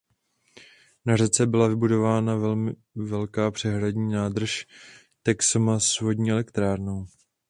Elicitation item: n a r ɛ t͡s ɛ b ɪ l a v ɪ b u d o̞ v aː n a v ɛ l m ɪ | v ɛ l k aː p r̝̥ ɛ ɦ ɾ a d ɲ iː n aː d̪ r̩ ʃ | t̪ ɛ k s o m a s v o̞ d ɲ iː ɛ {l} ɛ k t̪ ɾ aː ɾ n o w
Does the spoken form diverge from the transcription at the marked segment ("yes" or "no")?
no